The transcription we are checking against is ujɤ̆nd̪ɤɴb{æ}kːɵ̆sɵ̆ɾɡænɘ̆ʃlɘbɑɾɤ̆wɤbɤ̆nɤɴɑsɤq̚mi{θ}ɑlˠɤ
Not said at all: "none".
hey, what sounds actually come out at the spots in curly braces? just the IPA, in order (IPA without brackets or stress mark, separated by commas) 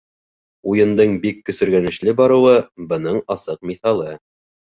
i, θ